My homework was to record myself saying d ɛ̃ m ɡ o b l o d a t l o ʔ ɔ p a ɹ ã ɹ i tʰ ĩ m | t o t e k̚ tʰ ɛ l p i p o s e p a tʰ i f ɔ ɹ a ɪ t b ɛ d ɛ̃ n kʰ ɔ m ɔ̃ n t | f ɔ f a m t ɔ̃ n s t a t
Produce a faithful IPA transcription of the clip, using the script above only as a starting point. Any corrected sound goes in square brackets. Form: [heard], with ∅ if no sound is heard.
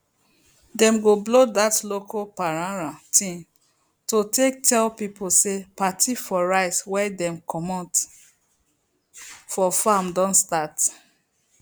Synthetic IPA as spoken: d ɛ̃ m ɡ o b l o d a t l o [k] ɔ p a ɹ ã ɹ [a] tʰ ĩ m | t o t e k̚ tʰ ɛ l p i p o s e p a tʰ i f ɔ ɹ a ɪ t [w] ɛ d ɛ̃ [m] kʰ ɔ m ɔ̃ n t | f ɔ f a m [d] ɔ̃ n s t a t